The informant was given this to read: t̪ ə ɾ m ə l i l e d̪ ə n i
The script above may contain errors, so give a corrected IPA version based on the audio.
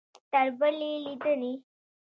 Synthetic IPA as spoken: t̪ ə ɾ b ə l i l i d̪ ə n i